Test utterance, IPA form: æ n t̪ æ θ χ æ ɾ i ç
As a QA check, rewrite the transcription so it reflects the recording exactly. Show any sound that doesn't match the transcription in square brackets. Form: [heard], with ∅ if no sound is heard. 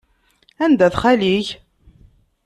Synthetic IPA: æ n [d̪] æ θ χ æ [l] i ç